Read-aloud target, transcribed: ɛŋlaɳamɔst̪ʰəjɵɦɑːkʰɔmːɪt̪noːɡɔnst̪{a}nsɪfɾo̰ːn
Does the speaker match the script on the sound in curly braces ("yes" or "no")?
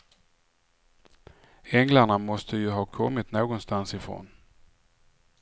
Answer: yes